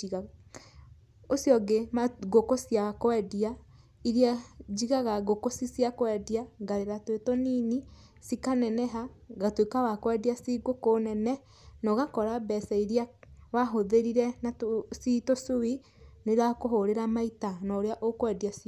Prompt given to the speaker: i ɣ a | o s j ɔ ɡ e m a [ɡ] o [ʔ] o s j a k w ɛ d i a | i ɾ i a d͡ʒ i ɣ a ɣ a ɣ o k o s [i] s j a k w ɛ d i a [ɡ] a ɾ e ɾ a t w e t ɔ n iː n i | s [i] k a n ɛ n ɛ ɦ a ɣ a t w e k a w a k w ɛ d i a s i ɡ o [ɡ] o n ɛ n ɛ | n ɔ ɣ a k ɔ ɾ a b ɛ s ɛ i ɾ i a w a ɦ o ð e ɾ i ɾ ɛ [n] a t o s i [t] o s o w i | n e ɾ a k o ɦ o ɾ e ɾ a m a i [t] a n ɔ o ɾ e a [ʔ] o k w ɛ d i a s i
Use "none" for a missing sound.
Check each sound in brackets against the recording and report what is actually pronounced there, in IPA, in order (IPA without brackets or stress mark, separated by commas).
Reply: ɡ, k, i, ɡ, i, k, n, t, t, ʔ